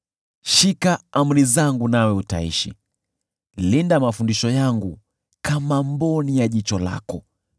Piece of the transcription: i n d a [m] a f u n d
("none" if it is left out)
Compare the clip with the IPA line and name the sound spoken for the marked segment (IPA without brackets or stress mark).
m